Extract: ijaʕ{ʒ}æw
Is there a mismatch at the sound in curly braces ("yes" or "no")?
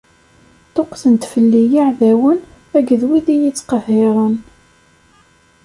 yes